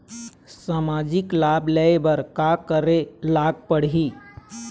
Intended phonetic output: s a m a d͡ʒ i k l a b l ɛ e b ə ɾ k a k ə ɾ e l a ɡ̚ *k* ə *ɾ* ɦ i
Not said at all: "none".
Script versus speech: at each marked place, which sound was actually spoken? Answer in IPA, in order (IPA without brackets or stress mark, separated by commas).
p, ɽ